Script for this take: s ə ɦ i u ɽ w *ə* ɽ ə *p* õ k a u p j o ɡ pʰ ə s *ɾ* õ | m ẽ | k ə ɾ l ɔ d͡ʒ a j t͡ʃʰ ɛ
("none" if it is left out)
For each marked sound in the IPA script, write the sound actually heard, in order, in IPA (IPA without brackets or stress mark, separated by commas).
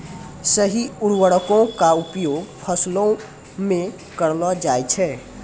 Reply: ə, k, l